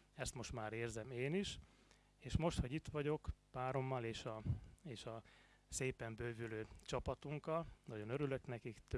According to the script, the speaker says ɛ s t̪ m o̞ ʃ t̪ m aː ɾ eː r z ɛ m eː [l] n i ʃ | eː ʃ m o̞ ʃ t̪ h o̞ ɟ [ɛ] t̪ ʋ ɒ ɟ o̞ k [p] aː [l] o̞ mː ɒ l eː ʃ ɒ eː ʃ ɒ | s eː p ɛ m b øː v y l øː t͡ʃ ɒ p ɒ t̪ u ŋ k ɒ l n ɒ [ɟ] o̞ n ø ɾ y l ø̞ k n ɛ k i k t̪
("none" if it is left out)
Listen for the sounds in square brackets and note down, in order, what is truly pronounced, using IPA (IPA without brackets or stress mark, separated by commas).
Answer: none, i, p, ɾ, ɟ